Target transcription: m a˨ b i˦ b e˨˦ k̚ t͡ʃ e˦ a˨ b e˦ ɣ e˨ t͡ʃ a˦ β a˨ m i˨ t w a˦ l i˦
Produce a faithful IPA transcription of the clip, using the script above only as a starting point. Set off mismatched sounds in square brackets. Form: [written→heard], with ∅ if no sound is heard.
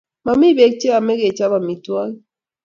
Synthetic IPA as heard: m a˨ [b→m] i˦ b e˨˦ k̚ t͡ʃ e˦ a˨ [b→m] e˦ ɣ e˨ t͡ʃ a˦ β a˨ m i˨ t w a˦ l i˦